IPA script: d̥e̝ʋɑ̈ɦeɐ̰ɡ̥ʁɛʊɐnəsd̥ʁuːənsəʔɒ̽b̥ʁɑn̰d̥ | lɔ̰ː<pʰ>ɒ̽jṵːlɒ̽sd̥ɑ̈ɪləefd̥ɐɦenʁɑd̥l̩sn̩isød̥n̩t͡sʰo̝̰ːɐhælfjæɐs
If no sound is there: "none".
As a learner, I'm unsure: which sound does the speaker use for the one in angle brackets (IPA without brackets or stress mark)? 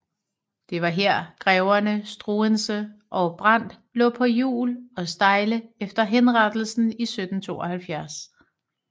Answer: pʰ